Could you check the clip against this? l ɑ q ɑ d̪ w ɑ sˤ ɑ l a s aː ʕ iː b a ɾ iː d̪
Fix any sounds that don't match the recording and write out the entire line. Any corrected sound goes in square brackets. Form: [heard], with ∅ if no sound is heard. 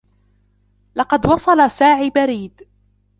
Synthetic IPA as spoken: l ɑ q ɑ d̪ w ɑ sˤ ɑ l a s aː ʕ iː b a ɾ iː d̪

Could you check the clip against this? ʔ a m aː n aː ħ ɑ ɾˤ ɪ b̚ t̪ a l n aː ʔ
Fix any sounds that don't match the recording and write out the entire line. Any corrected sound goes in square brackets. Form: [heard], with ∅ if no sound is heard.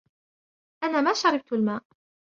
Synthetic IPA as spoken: ʔ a [n] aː [m] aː [ʃ] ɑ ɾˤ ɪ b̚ t̪ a l [m] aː ʔ

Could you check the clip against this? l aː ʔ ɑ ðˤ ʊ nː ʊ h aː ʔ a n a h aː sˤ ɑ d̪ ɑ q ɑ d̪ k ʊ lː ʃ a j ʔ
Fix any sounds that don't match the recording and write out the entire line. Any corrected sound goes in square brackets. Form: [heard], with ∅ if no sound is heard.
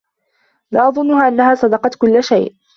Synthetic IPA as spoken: l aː ʔ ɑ ðˤ ʊ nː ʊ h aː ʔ a [nː] a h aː sˤ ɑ d̪ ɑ q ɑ [t̪] k ʊ lː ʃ a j ʔ

